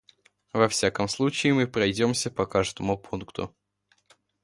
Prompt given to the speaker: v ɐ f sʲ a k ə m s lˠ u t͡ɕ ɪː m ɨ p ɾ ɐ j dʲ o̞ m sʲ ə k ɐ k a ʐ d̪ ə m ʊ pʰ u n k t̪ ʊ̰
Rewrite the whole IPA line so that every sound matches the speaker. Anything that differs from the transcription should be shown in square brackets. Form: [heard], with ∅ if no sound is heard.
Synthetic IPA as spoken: v ɐ f sʲ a k ə m s lˠ u t͡ɕ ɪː m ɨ p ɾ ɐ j dʲ o̞ m sʲ ə [p] ɐ k a ʐ d̪ ə m ʊ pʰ u n k t̪ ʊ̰